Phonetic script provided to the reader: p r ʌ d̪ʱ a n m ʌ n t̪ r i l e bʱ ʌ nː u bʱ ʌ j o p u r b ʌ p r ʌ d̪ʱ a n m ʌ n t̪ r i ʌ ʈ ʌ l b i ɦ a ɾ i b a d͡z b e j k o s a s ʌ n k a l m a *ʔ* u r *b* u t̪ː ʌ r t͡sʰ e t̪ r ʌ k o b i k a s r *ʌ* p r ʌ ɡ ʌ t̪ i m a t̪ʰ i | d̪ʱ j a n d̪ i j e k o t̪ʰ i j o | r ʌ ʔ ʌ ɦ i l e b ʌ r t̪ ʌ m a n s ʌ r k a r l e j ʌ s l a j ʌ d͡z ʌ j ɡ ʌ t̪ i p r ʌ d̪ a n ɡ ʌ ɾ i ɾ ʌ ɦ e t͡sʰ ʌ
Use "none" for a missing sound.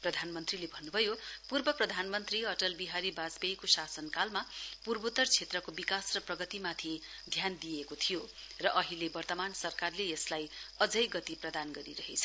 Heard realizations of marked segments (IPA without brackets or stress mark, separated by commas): p, b, ʌ